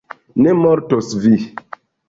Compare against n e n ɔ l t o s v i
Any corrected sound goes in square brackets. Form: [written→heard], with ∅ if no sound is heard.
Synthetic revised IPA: n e [n→m] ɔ [l→ɾ] t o s v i